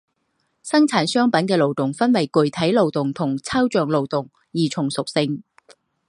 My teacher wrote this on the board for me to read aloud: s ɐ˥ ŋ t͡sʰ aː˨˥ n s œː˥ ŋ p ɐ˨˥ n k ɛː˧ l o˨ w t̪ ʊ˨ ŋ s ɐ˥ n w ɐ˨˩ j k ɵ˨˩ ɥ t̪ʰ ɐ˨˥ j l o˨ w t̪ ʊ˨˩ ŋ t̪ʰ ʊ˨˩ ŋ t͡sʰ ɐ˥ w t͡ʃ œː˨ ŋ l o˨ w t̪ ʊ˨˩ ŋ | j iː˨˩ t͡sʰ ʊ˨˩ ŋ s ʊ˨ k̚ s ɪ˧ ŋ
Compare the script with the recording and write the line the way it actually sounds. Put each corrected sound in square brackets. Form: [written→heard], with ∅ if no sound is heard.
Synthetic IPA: s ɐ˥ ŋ t͡sʰ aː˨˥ n s œː˥ ŋ p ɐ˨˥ n k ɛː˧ l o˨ w t̪ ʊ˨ ŋ [s→f] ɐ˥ n w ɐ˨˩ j k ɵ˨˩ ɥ t̪ʰ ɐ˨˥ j l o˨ w t̪ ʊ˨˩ ŋ t̪ʰ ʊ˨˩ ŋ t͡sʰ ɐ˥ w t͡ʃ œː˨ ŋ l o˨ w t̪ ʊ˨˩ ŋ | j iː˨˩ t͡sʰ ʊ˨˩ ŋ s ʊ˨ k̚ s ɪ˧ ŋ